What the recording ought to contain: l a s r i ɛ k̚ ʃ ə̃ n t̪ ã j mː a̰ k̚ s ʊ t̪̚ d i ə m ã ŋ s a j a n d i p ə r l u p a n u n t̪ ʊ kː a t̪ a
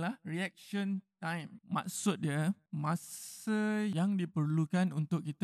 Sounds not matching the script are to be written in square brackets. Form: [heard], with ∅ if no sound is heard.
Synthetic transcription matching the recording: l a [h] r i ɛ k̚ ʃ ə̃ n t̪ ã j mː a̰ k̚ s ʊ t̪̚ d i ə m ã [∅] s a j a [ŋ] d i p ə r l u [k] a n u n t̪ ʊ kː [i] t̪ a